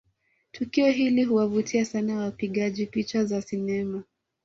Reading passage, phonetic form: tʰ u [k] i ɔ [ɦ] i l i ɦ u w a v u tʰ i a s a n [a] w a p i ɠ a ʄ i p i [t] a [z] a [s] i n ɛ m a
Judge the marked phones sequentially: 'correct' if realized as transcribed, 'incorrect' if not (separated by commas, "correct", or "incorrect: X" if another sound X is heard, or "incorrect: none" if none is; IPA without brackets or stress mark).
correct, correct, correct, incorrect: t͡ʃ, correct, correct